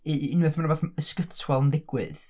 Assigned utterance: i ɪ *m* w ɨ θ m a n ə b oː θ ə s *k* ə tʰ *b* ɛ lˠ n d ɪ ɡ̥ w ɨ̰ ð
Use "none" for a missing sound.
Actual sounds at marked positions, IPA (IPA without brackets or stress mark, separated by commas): n, k, w